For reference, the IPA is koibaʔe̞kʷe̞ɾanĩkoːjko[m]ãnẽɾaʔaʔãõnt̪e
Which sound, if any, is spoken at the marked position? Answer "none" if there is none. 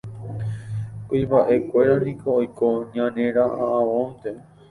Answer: ɲ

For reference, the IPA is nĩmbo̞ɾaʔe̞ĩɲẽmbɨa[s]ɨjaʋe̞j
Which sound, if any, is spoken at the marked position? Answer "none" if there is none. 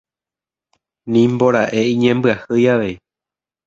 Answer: h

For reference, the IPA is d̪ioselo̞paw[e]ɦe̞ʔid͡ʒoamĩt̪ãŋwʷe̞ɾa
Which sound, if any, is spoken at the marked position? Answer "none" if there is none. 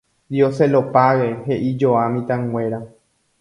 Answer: e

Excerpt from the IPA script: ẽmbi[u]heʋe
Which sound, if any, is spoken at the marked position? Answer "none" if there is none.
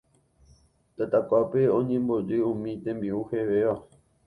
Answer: u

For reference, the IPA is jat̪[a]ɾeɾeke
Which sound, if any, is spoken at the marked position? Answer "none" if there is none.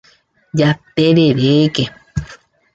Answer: e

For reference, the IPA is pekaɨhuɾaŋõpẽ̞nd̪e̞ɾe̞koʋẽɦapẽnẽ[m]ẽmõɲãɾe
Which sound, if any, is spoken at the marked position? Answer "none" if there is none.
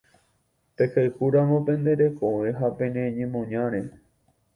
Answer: ɲ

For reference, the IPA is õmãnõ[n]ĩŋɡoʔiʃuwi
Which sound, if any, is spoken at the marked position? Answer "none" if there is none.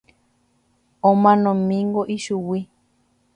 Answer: m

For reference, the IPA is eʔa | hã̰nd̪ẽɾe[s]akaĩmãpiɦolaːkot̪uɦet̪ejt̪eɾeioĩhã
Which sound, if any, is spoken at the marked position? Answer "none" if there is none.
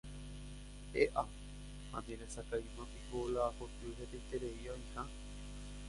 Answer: s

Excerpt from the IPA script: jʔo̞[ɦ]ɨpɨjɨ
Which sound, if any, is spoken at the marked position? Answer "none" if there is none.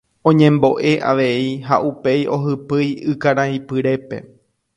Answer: ɦ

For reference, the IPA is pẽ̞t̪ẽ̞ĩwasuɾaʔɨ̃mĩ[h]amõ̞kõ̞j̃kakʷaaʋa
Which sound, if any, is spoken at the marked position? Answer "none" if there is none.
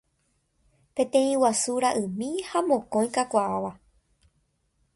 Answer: h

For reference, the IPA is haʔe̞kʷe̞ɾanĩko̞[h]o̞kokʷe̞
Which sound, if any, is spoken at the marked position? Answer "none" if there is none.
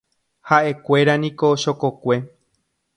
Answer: ʃ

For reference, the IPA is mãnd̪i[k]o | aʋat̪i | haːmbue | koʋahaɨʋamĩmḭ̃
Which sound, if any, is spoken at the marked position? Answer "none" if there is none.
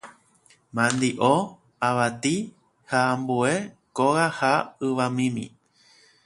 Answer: ʔ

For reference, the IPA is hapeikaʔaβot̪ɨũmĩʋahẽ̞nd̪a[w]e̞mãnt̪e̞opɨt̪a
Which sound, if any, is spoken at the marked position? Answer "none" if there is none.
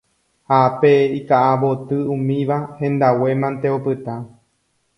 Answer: w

